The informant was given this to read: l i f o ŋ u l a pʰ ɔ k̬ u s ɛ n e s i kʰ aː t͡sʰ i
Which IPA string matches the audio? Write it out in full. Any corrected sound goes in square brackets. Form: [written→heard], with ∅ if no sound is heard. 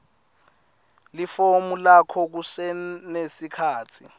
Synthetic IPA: l i f o [ŋ→m] u l a [pʰ→kʰ] ɔ k̬ u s ɛ n e s i kʰ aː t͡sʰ i